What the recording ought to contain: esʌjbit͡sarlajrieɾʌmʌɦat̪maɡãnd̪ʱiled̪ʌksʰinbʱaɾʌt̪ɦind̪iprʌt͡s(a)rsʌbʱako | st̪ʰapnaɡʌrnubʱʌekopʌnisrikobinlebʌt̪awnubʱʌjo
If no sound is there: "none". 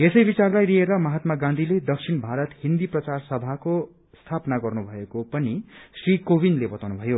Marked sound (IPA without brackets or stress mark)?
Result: a